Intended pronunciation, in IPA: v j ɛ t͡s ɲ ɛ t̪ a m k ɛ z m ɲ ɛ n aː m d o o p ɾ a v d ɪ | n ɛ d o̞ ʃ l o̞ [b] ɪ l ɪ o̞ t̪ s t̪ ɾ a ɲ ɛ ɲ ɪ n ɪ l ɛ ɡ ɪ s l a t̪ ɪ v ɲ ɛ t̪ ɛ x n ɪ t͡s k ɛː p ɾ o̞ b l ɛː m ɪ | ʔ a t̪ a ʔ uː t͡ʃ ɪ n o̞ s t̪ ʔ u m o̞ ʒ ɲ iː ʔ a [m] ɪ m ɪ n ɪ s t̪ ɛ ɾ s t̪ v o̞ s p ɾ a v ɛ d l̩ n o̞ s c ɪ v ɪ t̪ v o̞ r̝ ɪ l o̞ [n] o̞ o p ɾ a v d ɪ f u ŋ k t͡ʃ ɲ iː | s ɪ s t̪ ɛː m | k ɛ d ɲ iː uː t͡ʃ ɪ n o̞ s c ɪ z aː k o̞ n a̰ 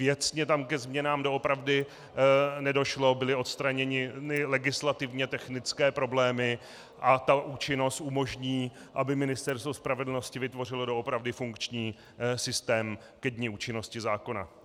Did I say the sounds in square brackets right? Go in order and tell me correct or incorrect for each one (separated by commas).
correct, incorrect, incorrect